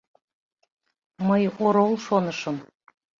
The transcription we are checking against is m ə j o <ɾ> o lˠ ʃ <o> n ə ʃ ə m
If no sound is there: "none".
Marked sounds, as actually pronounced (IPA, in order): ɾ, o

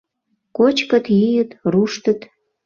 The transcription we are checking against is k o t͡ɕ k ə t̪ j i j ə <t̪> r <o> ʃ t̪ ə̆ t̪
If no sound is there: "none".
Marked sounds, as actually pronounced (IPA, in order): t̪, u

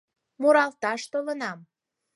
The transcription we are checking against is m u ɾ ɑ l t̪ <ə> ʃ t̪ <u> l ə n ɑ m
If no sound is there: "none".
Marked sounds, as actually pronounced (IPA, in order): ɑ, o

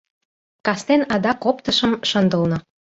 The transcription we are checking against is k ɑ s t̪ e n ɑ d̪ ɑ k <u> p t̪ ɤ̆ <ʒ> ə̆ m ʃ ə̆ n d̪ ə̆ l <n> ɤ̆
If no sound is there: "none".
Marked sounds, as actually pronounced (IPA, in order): o, ʃ, n

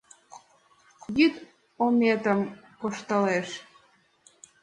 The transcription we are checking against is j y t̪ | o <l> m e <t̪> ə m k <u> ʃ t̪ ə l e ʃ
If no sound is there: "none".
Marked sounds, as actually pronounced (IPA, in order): none, t̪, o

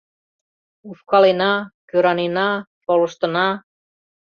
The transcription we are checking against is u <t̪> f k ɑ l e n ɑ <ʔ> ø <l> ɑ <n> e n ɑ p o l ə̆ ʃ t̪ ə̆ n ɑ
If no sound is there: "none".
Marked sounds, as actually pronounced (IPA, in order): none, k, ɾ, n

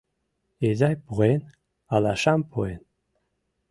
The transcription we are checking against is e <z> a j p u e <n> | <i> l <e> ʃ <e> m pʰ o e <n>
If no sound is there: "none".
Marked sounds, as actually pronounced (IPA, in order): z, n, a, a, a, n

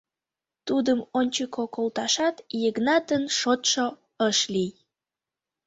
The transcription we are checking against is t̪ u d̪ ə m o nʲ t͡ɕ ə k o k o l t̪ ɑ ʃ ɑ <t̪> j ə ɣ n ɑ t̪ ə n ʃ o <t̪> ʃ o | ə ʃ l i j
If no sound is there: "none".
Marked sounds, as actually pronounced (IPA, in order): t̪, t̪

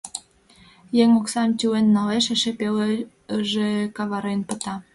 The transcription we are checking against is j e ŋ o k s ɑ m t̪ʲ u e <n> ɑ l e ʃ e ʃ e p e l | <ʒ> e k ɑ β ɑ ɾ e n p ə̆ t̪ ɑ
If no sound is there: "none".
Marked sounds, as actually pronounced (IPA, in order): nː, ʒ

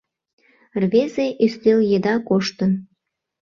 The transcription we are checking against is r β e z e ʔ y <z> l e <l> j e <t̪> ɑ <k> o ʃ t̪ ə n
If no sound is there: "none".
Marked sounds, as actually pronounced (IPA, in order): s, l, d̪, k

